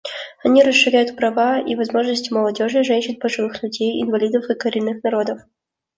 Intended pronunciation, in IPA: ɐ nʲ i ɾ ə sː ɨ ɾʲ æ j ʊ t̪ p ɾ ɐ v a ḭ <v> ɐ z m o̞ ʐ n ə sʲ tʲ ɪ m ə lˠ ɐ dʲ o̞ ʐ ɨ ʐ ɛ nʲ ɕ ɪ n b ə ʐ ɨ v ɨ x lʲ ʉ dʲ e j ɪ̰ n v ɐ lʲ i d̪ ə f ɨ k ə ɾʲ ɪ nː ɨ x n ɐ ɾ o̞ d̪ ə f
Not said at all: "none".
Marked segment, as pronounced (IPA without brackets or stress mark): v